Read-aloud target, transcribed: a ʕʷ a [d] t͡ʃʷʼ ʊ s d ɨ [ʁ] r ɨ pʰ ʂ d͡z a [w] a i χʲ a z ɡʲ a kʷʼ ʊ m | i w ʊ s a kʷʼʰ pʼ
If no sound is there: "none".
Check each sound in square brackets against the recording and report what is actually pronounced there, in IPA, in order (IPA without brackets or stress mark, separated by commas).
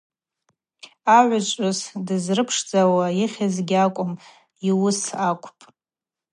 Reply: none, z, w